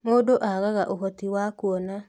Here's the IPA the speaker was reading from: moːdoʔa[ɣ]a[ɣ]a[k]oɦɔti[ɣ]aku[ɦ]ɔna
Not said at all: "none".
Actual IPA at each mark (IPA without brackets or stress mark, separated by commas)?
ɣ, ɣ, ʔ, w, none